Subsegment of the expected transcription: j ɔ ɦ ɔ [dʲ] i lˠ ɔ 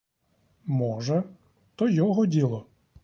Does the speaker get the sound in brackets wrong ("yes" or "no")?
no